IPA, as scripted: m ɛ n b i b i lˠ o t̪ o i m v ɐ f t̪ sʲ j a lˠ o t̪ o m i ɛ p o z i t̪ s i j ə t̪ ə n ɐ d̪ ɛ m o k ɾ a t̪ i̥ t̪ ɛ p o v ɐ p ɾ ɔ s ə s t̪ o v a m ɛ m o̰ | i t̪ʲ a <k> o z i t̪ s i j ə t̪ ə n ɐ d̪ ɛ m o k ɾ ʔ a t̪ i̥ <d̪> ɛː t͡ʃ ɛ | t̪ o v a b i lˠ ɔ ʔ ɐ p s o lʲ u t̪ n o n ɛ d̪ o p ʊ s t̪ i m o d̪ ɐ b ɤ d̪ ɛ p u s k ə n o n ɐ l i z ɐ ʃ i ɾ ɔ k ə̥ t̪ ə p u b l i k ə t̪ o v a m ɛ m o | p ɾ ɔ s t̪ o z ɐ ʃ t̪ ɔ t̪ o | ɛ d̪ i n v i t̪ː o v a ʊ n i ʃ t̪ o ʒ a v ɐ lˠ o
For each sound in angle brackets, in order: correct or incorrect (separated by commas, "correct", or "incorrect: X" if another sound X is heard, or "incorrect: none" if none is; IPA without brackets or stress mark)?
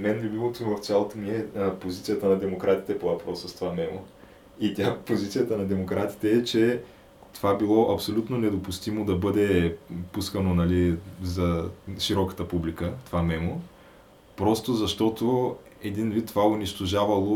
incorrect: p, incorrect: t̪